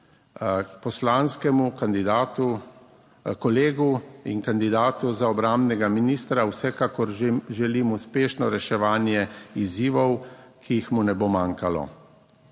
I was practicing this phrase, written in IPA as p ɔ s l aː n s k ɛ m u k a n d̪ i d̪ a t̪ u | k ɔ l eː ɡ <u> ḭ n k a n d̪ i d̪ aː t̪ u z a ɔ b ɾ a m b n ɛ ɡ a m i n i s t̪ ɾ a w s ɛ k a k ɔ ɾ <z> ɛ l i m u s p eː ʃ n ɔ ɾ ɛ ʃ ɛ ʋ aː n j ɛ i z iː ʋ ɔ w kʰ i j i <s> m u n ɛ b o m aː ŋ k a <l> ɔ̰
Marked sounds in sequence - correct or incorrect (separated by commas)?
correct, incorrect, incorrect, correct